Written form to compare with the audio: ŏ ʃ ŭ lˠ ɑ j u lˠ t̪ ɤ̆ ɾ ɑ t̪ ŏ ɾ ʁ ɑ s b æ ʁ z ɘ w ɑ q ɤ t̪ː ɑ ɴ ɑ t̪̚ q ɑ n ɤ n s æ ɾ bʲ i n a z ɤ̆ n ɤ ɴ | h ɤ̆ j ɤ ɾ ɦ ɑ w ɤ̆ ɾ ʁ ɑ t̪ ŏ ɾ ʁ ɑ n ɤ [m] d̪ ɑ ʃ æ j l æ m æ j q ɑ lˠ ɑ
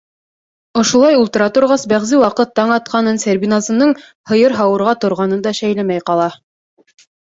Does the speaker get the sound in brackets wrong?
yes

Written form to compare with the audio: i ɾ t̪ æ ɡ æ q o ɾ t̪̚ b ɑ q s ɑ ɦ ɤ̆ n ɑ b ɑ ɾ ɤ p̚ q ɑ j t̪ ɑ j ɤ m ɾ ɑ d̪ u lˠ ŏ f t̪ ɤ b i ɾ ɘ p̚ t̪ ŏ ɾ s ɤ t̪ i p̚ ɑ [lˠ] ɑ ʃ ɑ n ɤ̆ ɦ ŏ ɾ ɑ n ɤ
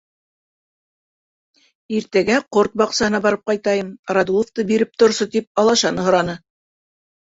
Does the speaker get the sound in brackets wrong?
no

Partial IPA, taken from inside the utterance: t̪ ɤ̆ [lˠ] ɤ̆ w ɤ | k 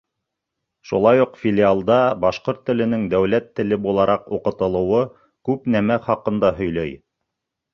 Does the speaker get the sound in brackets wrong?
no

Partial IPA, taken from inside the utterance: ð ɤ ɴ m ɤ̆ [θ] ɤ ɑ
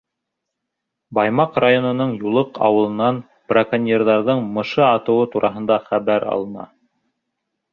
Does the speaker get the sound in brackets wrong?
yes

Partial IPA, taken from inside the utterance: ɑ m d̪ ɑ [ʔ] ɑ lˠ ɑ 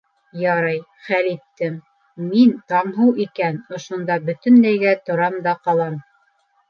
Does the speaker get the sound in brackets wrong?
yes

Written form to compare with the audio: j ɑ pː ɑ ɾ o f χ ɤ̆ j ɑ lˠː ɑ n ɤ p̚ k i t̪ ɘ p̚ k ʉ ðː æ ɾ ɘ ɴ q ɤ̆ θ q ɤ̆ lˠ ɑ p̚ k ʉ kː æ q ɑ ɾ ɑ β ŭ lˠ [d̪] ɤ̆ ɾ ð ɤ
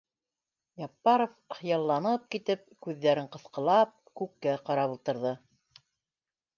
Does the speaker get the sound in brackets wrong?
yes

